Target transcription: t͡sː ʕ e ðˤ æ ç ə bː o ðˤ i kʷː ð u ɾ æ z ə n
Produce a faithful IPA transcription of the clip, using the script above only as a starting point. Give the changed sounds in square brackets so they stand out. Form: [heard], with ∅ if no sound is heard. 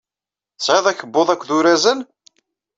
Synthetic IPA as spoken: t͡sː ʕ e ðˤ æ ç ə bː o ðˤ [æ] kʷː ð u ɾ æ z ə n